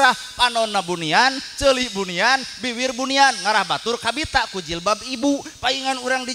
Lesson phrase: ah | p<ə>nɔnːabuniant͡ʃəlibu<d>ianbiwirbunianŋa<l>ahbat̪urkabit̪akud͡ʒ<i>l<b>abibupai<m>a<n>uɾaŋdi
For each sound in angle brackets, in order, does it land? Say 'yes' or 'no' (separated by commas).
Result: no, no, no, yes, yes, no, yes